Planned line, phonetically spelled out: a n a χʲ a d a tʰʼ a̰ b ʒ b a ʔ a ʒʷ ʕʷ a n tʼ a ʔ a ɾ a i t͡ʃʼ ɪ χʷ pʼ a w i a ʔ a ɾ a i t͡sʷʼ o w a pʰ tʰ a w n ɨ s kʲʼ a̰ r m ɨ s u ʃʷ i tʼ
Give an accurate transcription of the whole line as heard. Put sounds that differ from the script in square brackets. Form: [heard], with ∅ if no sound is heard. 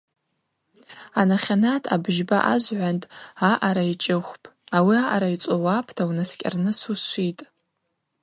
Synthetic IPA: a n a χʲ a [n] a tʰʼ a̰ b ʒ b a ʔ a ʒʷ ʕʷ a n tʼ a ʔ a ɾ a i t͡ʃʼ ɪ χʷ pʼ a w i a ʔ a ɾ a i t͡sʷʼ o w a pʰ tʰ a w n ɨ s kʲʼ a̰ r [n] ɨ s u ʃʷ i tʼ